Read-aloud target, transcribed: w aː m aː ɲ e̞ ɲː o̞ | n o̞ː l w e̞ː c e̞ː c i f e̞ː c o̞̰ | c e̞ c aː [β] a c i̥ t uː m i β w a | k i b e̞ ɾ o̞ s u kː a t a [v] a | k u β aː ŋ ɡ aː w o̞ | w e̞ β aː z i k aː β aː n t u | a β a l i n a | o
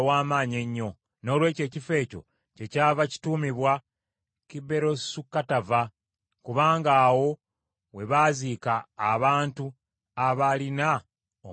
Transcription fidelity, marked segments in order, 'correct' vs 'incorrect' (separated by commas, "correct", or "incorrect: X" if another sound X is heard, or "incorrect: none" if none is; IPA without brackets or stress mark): incorrect: v, correct